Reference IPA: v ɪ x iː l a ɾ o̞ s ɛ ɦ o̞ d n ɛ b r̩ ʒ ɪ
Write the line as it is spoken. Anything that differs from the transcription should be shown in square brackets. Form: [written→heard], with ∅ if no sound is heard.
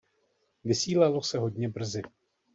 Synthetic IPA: v ɪ [x→s] iː l a [ɾ→l] o̞ s ɛ ɦ o̞ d [n→ɲ] ɛ b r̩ [ʒ→z] ɪ